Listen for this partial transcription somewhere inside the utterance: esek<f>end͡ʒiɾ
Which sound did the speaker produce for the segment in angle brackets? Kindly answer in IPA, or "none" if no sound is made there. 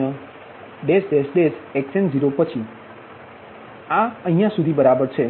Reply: s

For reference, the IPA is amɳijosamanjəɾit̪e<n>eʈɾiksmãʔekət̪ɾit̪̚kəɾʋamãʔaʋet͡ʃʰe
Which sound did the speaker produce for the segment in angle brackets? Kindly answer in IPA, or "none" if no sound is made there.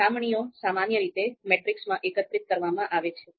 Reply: m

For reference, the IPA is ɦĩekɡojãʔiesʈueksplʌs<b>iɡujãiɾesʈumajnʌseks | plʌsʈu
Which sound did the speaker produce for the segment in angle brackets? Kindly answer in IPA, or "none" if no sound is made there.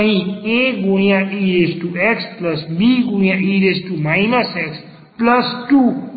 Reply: b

